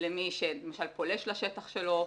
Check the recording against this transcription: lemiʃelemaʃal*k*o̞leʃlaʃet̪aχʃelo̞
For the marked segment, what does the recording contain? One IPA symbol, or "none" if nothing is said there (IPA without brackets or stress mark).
p